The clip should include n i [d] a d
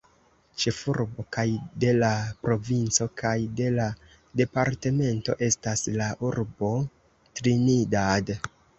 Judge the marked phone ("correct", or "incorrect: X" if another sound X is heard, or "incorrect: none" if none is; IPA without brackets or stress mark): correct